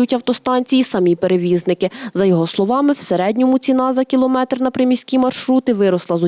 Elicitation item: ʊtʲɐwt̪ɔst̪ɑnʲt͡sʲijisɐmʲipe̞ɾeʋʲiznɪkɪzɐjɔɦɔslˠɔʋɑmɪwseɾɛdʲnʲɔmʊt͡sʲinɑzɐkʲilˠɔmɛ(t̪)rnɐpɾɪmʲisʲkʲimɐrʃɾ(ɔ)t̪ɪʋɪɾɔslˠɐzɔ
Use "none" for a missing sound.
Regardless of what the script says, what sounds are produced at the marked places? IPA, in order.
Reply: t̪, u

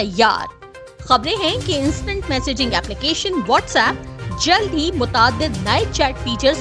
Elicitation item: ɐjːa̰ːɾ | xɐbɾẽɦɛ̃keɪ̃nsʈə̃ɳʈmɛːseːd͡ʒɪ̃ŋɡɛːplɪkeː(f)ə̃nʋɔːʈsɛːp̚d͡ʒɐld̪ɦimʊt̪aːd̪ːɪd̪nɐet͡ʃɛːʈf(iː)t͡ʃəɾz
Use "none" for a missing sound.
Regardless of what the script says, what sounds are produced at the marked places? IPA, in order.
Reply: ʃ, iː

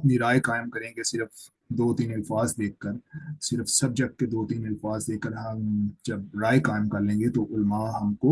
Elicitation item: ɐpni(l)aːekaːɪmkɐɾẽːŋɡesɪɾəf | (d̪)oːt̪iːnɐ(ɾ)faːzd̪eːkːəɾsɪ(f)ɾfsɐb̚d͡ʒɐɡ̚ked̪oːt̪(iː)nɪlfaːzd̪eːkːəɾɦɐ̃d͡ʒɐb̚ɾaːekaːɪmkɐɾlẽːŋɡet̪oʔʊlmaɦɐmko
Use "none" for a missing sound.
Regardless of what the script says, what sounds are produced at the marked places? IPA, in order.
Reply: ɾ, d̪, l, none, iː

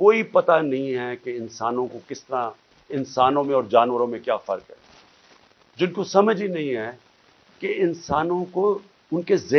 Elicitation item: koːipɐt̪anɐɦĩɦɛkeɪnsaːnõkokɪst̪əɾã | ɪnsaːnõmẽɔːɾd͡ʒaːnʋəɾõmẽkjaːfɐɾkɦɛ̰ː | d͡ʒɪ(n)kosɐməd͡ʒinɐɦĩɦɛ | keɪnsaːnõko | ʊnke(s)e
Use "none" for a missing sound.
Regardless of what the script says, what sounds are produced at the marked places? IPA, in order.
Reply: n, z

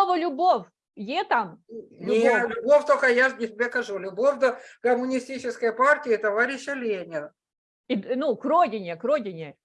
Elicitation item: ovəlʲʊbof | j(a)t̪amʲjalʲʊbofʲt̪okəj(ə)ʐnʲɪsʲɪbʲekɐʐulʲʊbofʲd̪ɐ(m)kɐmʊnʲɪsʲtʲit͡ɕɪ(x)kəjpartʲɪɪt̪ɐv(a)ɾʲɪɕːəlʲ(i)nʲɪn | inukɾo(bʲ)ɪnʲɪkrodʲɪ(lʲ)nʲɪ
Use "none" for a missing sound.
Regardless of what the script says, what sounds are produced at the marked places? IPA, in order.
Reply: e, a, none, s, a, e, dʲ, none

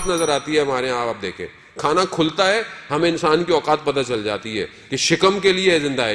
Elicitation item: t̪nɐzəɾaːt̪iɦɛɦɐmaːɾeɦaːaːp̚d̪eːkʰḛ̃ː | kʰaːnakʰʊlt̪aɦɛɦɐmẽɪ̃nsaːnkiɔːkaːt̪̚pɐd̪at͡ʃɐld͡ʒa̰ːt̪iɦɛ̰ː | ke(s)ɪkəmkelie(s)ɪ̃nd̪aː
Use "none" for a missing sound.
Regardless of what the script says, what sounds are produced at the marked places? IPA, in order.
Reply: ʃ, z

